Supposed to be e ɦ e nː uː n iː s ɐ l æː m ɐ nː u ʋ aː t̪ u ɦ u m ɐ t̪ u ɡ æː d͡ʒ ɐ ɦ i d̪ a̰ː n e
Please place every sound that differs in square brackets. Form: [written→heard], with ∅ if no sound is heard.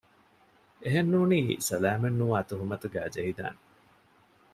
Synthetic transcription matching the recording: e ɦ e nː uː n iː s ɐ l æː m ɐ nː u ʋ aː t̪ u ɦ u m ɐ t̪ u ɡ æː d͡ʒ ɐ ɦ i d̪ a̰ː n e